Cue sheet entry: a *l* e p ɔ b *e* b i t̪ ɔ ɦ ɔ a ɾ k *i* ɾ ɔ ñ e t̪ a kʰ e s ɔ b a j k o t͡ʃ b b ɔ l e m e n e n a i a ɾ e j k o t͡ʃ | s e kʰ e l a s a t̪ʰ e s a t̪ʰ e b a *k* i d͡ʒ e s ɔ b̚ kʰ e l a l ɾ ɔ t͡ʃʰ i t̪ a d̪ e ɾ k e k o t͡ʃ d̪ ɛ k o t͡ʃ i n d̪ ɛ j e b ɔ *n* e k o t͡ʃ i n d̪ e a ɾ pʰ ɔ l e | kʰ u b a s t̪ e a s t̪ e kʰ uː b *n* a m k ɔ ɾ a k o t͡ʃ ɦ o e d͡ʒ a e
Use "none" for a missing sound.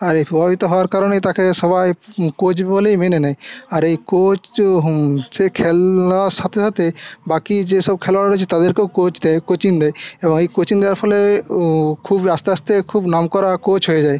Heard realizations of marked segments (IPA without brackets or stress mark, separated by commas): ɾ, a, a, k, ŋ, n